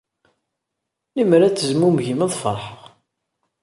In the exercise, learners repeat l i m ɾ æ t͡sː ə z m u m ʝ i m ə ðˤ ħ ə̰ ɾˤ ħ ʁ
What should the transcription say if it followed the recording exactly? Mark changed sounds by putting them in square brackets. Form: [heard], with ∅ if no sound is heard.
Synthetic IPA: l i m ɾ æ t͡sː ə z m u m ʝ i m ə ðˤ [f] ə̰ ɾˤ ħ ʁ